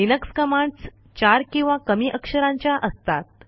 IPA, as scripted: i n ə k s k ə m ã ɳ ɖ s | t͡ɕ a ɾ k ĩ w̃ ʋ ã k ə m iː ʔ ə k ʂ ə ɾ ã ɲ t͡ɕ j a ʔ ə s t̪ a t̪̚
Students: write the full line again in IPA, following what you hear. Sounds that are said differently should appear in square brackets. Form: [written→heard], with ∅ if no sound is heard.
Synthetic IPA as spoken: i n ə k s k ə m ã ɳ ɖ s | t͡ɕ a ɾ k ĩ w̃ ʋ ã k ə m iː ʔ ə k ʂ ə ɾ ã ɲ t͡ɕ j a ʔ ə s t̪ a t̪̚